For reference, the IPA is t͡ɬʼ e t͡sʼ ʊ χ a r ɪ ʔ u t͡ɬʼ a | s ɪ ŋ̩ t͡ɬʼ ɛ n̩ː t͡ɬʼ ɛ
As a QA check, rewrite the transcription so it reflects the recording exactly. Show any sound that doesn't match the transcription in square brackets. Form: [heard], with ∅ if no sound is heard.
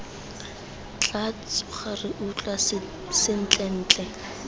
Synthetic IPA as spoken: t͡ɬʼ [a] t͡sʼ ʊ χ a r ɪ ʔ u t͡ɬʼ a | s ɪ [n̩] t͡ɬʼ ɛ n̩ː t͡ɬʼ ɛ